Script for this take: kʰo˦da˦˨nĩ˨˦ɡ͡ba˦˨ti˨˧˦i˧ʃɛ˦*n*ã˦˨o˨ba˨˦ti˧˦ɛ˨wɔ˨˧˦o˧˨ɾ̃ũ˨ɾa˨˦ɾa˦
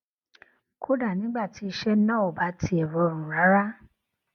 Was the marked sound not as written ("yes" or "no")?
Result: no